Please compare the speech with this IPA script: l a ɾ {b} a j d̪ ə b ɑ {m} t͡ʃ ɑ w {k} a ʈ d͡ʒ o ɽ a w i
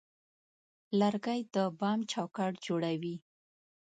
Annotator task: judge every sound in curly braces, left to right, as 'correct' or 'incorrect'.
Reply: incorrect, correct, correct

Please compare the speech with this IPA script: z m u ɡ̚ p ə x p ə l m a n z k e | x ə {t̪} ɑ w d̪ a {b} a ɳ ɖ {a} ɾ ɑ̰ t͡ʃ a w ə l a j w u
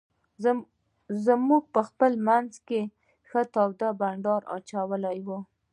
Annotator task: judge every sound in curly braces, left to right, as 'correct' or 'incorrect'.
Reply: correct, correct, incorrect

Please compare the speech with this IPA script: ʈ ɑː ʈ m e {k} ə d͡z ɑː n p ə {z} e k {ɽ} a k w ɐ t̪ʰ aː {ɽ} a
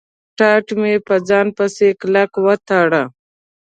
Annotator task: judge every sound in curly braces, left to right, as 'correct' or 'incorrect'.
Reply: incorrect, incorrect, incorrect, correct

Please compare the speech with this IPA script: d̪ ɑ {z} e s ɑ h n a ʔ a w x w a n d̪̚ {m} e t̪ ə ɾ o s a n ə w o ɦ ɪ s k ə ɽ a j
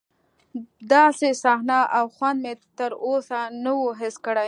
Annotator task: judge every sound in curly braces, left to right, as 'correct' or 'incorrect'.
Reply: incorrect, correct

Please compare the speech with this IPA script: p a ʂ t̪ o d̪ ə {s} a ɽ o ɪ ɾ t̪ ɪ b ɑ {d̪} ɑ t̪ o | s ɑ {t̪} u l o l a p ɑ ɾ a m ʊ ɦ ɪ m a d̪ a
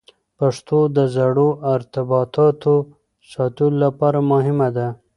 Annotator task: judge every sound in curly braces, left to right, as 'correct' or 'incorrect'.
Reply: incorrect, incorrect, correct

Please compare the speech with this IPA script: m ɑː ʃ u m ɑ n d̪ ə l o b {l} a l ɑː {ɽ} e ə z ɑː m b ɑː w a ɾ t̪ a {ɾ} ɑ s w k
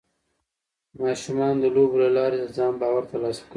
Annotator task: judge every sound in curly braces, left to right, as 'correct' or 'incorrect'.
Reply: correct, incorrect, incorrect

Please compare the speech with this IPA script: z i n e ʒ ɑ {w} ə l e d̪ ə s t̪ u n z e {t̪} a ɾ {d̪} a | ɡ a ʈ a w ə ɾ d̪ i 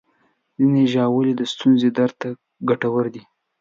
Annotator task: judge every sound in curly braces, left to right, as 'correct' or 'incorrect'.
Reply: correct, incorrect, incorrect

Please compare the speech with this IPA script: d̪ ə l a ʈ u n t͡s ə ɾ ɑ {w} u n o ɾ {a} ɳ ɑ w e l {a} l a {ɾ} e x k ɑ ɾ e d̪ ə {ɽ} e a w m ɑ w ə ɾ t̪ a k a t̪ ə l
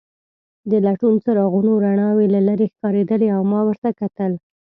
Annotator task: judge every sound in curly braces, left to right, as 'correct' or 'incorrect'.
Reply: incorrect, correct, correct, correct, incorrect

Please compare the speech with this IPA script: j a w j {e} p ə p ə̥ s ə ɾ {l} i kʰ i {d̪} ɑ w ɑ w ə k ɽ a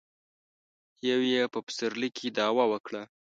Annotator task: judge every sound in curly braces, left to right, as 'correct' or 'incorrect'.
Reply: correct, correct, correct

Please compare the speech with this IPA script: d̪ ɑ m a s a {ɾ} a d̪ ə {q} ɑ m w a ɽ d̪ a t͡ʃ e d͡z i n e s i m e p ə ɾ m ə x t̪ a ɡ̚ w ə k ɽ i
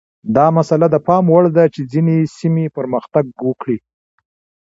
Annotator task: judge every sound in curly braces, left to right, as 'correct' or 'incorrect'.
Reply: incorrect, incorrect

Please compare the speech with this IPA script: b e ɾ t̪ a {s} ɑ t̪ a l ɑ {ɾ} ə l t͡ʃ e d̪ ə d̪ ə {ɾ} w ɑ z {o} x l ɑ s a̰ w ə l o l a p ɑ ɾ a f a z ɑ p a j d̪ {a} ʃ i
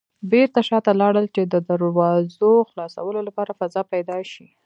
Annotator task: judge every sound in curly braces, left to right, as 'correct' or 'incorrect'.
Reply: incorrect, incorrect, correct, correct, incorrect

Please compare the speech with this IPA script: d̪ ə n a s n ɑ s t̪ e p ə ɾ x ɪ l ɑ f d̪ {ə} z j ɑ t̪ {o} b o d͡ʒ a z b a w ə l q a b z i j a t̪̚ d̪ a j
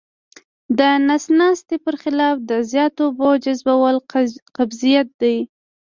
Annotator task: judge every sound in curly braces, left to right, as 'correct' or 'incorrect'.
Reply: correct, correct

